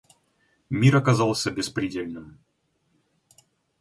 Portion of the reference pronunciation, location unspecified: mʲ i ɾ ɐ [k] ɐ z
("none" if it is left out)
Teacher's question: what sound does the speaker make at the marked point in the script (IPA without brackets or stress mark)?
k